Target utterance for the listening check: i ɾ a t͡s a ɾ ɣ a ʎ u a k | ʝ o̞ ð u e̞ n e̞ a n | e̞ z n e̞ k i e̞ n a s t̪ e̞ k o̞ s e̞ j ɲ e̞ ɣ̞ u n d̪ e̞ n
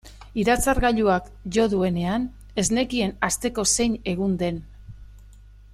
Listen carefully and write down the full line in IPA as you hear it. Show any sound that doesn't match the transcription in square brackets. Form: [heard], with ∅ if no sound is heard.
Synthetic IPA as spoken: i ɾ a t͡s a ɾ ɣ a ʎ u a k | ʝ o̞ ð u e̞ n e̞ a n | e̞ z n e̞ k i e̞ n a s t̪ e̞ k o̞ s e̞ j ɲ e̞ ɣ̞ u n d̪ e̞ n